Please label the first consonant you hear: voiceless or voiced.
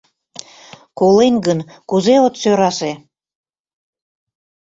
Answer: voiceless